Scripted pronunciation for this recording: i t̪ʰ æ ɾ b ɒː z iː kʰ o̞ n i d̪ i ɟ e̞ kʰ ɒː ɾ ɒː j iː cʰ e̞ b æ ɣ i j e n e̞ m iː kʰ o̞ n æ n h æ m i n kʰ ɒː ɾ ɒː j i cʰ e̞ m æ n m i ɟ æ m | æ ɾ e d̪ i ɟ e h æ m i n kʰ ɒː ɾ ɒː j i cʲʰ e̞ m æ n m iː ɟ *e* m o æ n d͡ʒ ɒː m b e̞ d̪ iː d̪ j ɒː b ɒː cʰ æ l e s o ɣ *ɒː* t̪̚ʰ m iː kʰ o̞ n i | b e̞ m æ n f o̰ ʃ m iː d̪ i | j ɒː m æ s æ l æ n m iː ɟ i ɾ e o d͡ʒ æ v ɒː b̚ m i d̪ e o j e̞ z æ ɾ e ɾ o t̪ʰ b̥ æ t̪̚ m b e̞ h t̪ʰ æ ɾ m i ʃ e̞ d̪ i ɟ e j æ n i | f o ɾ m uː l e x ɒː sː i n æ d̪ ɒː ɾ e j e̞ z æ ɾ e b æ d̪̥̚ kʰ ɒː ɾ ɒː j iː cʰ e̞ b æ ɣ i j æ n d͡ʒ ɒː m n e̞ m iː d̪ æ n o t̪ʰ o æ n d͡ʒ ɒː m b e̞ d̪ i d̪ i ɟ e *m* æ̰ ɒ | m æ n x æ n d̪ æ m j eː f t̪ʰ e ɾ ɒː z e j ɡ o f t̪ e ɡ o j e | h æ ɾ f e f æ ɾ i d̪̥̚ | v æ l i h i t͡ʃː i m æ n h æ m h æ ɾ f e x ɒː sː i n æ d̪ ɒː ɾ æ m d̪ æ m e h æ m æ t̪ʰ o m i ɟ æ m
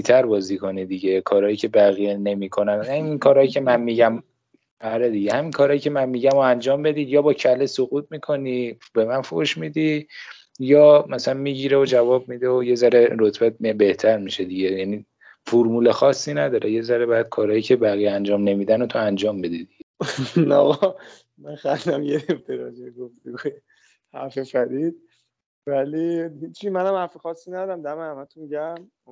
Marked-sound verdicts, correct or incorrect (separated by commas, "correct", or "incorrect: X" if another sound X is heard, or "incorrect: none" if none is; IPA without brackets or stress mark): incorrect: æ, incorrect: uː, incorrect: n